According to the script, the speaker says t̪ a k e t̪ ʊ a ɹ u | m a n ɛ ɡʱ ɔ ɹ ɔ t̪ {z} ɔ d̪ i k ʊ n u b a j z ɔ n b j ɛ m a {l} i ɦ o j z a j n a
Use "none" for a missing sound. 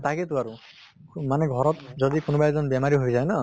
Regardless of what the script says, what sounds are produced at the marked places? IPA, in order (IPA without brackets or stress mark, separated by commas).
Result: z, ɹ